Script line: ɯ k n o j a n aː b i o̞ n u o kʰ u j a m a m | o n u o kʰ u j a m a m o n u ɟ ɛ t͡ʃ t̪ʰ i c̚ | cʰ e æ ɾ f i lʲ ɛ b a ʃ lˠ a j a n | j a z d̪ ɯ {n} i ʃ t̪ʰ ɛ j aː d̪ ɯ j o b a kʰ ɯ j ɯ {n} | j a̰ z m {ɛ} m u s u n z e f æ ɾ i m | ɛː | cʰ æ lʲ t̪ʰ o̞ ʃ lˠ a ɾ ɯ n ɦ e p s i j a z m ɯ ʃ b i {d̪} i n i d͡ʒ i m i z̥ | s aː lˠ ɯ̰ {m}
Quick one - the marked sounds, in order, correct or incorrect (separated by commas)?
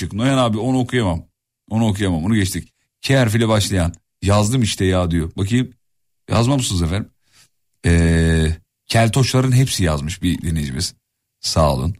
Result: incorrect, incorrect, incorrect, correct, incorrect